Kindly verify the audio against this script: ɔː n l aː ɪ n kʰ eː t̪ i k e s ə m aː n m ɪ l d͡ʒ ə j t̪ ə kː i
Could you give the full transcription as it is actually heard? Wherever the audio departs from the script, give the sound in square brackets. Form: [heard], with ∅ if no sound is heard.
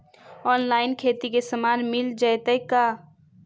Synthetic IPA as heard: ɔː n l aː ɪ n kʰ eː t̪ i k e s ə m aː n m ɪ l d͡ʒ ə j t̪ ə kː [a]